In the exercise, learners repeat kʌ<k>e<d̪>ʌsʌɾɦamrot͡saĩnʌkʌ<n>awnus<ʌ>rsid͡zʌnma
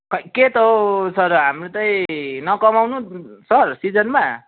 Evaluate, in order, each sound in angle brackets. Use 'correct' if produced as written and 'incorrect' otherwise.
correct, incorrect, incorrect, correct

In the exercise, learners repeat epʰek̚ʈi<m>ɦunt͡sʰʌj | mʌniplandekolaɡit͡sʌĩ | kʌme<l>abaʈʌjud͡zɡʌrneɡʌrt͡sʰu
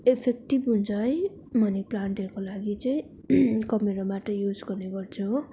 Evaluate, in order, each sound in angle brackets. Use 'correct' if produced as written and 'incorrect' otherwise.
incorrect, incorrect

